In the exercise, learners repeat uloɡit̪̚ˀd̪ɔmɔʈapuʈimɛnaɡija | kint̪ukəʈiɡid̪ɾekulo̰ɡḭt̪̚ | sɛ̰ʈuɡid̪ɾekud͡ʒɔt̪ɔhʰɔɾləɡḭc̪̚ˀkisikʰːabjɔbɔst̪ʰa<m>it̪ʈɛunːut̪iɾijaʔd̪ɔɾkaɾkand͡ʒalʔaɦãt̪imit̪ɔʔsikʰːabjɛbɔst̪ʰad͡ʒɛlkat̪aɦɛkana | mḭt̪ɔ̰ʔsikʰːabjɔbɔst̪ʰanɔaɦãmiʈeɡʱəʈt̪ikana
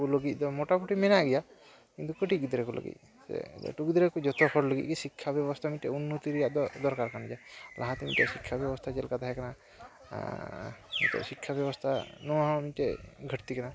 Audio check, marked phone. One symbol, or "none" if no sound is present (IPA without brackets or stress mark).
m